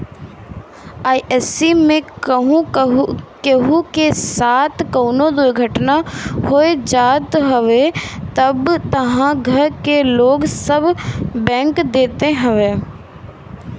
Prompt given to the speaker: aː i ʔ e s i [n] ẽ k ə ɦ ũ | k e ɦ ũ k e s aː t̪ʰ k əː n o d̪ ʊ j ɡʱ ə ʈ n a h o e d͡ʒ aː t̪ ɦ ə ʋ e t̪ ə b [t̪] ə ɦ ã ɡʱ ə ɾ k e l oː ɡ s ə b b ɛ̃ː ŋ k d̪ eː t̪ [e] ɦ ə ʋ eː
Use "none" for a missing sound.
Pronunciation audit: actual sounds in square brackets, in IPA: m, t̪, e

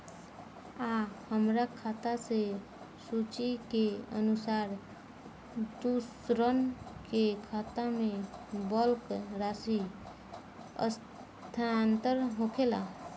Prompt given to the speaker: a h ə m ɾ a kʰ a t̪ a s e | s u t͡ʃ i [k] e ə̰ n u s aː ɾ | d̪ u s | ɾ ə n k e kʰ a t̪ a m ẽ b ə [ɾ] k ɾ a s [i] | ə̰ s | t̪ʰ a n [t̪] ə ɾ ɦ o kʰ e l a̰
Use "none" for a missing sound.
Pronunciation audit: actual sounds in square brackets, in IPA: k, l, i, t̪

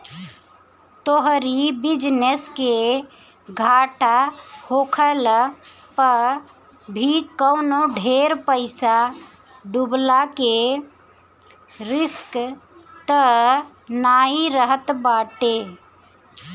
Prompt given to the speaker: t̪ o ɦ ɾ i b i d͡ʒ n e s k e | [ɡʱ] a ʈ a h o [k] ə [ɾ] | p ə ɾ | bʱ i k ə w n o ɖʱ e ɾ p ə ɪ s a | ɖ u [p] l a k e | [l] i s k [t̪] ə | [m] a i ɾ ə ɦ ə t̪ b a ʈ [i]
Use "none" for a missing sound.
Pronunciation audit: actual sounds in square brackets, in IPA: ɡʱ, kʰ, l, b, ɾ, t̪, n, e

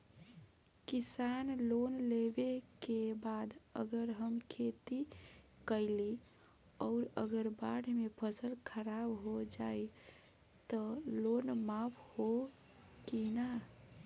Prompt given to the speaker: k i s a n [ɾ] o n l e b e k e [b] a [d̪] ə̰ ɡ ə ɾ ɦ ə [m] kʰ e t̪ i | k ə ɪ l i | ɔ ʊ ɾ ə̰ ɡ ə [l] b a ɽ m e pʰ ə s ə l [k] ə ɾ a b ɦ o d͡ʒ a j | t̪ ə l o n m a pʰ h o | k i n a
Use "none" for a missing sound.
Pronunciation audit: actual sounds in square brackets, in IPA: l, b, d̪, m, ɾ, kʰ

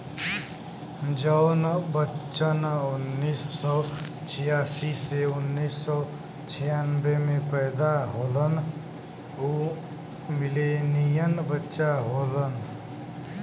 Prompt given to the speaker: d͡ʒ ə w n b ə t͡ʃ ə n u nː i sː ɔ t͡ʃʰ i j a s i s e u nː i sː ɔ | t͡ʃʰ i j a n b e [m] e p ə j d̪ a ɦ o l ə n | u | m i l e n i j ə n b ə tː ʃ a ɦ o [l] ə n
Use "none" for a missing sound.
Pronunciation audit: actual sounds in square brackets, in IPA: m, l

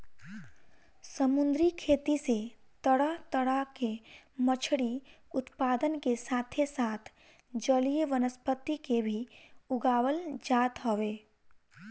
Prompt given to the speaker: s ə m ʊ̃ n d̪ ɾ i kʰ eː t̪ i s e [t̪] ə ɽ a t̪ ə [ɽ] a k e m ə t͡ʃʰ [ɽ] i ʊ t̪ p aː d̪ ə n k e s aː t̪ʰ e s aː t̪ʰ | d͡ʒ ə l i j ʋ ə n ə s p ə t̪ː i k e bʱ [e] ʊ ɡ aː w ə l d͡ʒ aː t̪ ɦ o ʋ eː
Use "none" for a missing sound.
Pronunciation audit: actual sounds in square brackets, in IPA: t̪, ɽ, ɽ, i

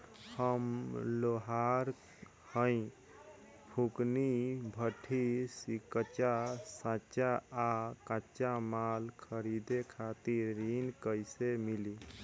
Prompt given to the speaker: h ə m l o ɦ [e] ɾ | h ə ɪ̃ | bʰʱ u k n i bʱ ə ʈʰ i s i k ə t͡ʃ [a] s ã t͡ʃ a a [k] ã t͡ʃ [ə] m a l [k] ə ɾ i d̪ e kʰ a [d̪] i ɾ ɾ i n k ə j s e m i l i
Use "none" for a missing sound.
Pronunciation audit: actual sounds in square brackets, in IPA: a, a, k, a, kʰ, t̪

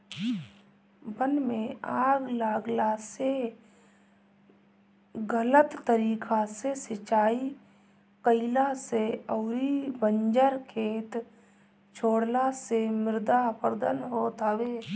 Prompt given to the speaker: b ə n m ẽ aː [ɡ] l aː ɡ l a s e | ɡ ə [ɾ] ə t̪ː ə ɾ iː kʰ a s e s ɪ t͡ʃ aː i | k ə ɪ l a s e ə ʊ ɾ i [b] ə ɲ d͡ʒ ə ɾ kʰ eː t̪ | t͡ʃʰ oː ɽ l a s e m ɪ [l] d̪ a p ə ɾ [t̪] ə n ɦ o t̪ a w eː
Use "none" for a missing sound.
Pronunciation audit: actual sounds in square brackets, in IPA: ɡ, l, b, ɾ, d̪

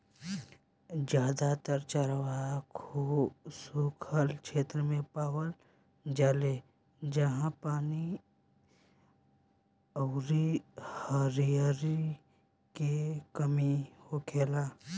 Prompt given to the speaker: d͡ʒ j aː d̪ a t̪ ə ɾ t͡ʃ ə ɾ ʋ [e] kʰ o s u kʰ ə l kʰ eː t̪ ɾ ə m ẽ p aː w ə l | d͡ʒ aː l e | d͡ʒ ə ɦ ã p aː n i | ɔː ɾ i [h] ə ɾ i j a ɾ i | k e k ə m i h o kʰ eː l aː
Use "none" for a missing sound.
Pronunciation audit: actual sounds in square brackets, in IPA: a, h

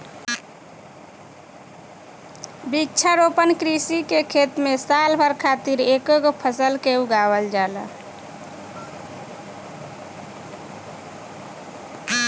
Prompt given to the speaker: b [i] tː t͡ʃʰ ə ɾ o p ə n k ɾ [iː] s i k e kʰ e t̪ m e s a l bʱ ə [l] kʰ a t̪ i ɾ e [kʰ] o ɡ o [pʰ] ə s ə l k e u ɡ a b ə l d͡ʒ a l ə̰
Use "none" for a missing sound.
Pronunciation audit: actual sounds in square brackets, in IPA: i, i, ɾ, k, pʰ

